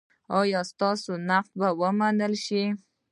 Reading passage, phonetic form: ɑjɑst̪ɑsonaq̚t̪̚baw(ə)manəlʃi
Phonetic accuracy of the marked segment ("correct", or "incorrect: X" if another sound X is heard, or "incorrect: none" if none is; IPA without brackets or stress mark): correct